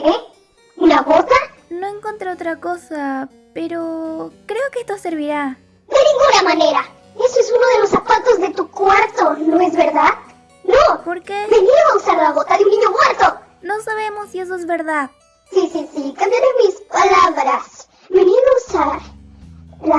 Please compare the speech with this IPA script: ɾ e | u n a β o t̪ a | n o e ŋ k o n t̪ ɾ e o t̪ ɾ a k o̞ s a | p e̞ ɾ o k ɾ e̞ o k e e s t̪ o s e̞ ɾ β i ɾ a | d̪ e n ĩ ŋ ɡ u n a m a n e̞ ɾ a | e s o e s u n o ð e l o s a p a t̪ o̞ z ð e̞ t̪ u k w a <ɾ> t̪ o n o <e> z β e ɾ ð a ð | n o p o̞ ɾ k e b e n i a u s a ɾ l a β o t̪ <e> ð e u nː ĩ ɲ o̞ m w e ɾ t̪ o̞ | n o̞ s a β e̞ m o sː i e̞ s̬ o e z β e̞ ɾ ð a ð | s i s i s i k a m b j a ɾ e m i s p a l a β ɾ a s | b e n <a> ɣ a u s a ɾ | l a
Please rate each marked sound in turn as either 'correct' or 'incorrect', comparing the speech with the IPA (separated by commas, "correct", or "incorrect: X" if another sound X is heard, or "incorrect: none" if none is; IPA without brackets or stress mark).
correct, correct, incorrect: a, incorrect: i